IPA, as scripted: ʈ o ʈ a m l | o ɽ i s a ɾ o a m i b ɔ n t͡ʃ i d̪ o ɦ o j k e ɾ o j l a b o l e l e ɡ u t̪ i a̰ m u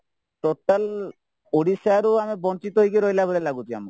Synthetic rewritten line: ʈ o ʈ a l | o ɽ i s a ɾ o a m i b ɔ n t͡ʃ i t̪ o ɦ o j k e ɾ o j l a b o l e l a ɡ u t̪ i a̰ m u